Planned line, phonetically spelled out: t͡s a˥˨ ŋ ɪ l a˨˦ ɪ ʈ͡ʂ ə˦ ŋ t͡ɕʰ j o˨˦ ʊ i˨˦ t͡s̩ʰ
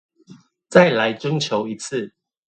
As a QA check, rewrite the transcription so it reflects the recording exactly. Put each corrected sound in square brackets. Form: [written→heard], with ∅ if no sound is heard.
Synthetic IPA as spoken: t͡s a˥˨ [ŋ→∅] ɪ l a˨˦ ɪ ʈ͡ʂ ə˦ ŋ t͡ɕʰ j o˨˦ ʊ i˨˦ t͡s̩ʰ

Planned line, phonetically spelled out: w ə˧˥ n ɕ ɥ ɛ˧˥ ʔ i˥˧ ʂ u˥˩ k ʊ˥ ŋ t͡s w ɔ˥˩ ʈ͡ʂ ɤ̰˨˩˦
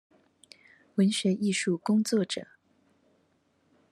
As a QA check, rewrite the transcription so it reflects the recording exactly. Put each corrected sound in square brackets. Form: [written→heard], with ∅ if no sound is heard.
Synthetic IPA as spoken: w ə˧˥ n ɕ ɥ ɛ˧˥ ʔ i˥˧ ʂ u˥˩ k ʊ˥ ŋ t͡s w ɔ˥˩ ʈ͡ʂ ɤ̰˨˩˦

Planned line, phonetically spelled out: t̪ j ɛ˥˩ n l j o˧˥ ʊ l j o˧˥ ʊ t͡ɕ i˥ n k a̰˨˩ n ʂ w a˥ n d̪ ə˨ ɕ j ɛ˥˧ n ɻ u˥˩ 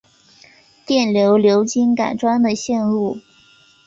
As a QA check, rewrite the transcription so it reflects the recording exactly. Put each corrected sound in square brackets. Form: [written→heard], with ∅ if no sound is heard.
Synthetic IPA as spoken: t̪ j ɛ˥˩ n l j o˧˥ ʊ l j o˧˥ ʊ t͡ɕ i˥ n k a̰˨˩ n [ʂ→ʈ͡ʂ] w a˥ n d̪ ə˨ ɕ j ɛ˥˧ n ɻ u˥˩

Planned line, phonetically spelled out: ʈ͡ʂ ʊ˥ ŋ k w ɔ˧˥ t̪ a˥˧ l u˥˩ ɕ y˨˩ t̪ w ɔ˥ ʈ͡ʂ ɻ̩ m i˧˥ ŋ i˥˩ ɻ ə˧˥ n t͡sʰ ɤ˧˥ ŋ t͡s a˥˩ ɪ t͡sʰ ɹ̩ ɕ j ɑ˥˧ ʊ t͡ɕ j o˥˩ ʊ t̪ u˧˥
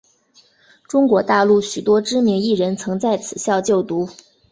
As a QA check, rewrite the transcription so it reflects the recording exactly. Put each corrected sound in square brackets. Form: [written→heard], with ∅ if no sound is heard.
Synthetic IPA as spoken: ʈ͡ʂ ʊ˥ ŋ k w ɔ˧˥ t̪ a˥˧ l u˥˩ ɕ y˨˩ t̪ w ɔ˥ ʈ͡ʂ ɻ̩ m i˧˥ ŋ i˥˩ ɻ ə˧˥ n t͡sʰ ɤ˧˥ ŋ t͡s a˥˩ ɪ t͡sʰ ɹ̩ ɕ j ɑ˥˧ ʊ t͡ɕ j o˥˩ ʊ t̪ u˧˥

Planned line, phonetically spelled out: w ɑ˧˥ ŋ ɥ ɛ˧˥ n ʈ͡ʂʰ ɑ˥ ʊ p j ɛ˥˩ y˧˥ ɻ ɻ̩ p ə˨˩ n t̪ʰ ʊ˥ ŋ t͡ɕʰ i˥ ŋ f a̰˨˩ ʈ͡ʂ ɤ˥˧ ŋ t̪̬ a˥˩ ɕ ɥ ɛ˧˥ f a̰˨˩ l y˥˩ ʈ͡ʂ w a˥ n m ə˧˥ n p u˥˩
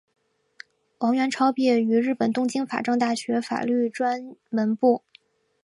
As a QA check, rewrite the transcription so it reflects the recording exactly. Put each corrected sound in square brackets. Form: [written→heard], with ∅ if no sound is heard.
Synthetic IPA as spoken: w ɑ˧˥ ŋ ɥ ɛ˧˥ n ʈ͡ʂʰ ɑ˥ ʊ p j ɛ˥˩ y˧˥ ɻ ɻ̩ p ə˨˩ n [t̪ʰ→t̪] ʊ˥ ŋ [t͡ɕʰ→t͡ɕ] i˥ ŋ f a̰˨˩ ʈ͡ʂ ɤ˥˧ ŋ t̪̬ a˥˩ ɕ ɥ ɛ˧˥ f a̰˨˩ l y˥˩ ʈ͡ʂ w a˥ n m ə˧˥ n p u˥˩

